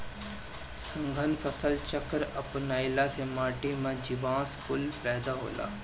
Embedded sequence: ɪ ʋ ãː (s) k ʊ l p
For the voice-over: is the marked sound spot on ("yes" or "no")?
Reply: yes